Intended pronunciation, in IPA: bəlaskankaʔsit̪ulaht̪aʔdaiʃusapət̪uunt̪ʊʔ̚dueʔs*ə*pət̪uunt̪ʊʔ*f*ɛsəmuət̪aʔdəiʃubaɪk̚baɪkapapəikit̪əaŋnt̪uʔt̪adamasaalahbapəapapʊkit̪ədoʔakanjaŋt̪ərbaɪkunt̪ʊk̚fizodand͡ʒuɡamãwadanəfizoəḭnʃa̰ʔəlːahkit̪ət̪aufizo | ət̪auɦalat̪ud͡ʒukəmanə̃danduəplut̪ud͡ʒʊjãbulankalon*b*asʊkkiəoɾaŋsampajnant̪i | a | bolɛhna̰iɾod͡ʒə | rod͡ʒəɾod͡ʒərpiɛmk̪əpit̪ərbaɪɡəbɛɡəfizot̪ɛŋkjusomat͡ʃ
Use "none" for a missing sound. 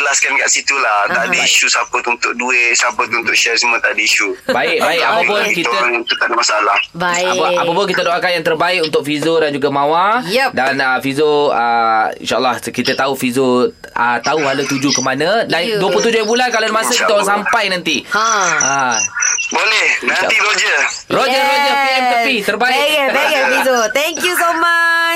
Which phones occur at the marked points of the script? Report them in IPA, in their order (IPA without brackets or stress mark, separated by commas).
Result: a, ʃ, m